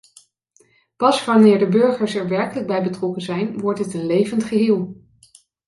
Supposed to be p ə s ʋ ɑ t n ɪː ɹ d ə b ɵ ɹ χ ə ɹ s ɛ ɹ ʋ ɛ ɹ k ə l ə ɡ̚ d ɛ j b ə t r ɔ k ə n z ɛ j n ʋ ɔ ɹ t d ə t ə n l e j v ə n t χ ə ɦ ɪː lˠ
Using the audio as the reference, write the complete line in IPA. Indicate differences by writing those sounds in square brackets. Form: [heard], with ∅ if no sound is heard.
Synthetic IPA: p [ɑ] s ʋ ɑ [∅] n ɪː ɹ d ə b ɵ ɹ χ ə ɹ s ɛ ɹ ʋ ɛ ɹ k ə l ə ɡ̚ [b] ɛ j b ə t r ɔ k ə n z ɛ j n ʋ ɔ ɹ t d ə t ə n l e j v ə n t χ ə ɦ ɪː lˠ